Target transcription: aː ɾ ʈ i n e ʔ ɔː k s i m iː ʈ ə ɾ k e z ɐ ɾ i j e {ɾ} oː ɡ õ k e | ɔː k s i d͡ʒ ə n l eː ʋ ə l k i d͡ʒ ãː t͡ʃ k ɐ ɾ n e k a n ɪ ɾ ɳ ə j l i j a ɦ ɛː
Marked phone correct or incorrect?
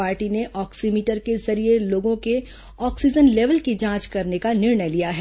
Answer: incorrect